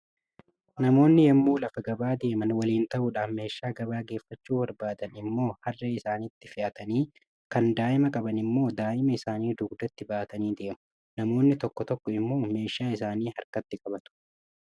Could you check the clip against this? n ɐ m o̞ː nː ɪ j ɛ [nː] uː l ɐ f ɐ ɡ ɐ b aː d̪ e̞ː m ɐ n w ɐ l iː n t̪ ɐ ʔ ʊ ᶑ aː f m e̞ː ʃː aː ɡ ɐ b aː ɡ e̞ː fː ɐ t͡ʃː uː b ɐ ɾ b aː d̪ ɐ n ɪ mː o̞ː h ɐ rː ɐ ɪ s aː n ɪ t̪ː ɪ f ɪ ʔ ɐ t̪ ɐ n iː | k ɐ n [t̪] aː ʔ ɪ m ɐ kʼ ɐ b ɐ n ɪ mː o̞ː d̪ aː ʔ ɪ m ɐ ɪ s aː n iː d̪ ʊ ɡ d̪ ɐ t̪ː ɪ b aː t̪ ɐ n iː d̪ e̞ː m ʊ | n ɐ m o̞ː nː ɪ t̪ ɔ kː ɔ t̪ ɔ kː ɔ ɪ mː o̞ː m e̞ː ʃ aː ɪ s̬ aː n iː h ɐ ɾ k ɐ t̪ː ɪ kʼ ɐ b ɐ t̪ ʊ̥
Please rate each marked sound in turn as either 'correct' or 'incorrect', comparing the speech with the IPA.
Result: incorrect, incorrect

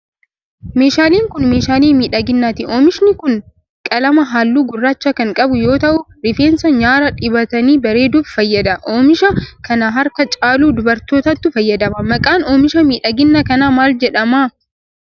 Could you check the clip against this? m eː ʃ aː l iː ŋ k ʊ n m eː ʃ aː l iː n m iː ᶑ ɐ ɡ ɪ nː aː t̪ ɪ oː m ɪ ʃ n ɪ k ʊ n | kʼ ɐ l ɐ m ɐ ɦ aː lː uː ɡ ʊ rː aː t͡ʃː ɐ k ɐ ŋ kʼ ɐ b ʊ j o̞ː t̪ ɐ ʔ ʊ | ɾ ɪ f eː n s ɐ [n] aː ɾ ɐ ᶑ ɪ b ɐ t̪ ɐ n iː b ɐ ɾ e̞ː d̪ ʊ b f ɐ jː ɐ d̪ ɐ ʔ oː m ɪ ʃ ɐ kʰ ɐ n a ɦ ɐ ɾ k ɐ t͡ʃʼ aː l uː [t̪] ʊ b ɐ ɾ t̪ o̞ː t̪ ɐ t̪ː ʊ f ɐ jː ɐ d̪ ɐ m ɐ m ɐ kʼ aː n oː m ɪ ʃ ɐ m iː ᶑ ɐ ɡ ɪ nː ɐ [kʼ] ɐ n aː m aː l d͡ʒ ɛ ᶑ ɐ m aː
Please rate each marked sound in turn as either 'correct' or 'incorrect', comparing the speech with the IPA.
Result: incorrect, incorrect, incorrect

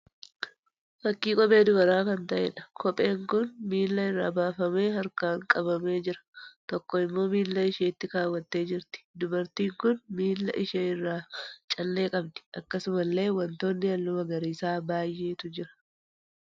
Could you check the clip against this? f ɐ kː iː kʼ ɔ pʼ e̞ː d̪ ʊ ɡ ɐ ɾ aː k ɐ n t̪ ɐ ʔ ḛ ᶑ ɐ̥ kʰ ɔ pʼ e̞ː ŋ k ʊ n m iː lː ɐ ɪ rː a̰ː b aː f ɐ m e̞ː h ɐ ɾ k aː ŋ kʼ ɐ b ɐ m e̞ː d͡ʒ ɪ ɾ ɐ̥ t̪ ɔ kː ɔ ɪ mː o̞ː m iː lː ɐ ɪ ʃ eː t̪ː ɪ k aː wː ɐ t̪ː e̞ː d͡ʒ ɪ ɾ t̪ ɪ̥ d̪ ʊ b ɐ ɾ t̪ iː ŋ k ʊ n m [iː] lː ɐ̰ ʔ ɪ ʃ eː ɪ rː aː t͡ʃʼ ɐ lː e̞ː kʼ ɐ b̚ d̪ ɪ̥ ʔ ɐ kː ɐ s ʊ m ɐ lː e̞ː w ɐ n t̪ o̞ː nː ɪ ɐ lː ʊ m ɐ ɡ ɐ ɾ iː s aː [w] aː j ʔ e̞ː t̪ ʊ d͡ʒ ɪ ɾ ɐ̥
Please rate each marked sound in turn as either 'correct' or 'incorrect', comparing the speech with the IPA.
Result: correct, incorrect

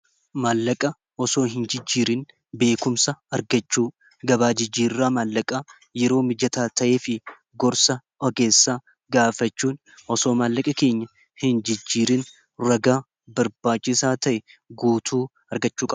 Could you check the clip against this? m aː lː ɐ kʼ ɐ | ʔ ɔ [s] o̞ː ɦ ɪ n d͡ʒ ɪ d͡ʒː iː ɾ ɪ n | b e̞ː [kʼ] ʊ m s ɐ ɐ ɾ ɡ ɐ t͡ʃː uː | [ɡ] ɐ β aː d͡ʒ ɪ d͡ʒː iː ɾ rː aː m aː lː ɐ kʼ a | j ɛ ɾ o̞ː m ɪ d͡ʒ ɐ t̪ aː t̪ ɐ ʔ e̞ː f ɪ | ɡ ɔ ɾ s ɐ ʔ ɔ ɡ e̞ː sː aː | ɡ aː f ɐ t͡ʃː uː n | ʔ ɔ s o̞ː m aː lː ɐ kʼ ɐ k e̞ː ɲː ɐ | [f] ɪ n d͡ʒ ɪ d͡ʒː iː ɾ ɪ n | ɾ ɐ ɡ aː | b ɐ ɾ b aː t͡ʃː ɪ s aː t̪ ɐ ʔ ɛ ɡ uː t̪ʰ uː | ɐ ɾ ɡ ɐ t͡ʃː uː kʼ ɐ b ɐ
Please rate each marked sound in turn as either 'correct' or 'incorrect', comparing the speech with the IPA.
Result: correct, incorrect, correct, incorrect

